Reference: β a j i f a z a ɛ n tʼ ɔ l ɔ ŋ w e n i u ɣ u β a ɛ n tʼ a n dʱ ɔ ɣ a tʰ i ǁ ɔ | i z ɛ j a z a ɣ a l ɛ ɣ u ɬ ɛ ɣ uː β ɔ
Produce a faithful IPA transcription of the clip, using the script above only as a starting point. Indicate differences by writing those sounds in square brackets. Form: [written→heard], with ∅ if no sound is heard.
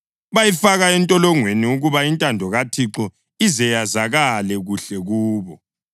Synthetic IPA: β a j i f a [z→ɣ] a ɛ n tʼ ɔ l ɔ ŋ w e n i u ɣ u β a [ɛ→i] n tʼ a n dʱ ɔ ɣ a tʰ i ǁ ɔ | i z ɛ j a z a ɣ a l ɛ ɣ u ɬ ɛ ɣ uː β ɔ